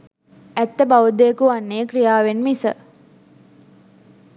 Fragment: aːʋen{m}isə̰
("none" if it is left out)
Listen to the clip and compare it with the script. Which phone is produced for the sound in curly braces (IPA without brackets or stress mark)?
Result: m